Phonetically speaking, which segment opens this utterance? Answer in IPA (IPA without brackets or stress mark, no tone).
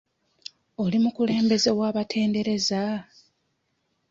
o̞